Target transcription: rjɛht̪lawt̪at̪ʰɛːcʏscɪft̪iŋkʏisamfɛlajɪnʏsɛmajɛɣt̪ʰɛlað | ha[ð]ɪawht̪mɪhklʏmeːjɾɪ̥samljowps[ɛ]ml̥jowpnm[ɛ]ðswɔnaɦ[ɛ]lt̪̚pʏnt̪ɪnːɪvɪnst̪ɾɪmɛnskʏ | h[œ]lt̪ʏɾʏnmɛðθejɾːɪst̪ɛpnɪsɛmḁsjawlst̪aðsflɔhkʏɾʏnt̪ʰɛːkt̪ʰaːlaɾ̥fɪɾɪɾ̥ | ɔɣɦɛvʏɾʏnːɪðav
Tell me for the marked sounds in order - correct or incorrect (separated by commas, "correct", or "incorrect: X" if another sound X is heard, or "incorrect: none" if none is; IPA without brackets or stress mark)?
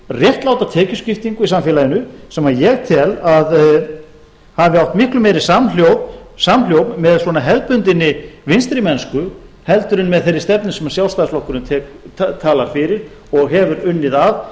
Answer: incorrect: v, incorrect: a, correct, correct, incorrect: ɛ